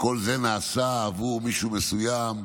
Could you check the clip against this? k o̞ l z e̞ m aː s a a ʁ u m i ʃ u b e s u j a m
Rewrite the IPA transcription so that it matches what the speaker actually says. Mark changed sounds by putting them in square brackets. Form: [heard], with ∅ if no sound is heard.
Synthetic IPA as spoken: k o̞ l z e̞ [n] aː s a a [v] u m i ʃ u [m] e s u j a m